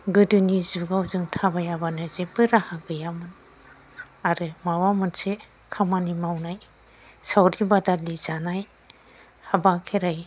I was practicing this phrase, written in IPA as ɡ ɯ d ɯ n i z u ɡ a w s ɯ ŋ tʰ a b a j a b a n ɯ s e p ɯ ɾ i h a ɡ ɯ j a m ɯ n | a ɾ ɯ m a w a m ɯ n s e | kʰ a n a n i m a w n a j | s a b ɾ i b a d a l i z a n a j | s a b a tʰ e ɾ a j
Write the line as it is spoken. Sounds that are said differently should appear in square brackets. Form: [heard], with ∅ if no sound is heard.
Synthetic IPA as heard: ɡ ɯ d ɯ n i z u ɡ a w [z] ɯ ŋ tʰ a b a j a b a n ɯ [z] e p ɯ ɾ [a] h a ɡ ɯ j a m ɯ n | a ɾ ɯ m a w a m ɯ n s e | kʰ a [m] a n i m a w n a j | s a [w] ɾ i b a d a l i z a n a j | [h] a b a [kʰ] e ɾ a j